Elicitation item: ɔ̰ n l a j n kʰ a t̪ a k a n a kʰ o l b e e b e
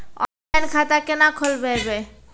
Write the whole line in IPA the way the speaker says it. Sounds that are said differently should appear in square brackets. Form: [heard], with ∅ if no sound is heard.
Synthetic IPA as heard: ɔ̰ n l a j n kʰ a t̪ a k [e] n a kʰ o l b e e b e